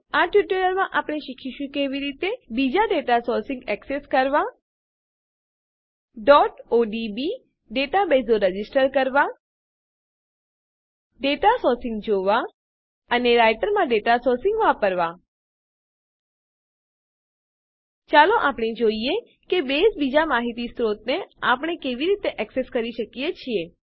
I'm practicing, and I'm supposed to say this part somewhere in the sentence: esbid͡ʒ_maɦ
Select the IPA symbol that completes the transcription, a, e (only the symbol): a